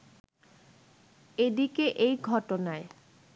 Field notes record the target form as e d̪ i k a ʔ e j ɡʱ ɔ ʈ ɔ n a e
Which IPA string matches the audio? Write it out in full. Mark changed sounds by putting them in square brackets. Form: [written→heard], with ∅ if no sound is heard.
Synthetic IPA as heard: e d̪ i k [a→e] ʔ e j ɡʱ ɔ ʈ [ɔ→o] n a e